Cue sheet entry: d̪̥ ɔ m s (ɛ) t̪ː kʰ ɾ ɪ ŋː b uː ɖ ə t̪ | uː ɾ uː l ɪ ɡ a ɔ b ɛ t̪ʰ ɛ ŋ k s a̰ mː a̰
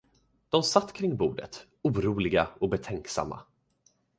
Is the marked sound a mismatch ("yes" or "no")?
yes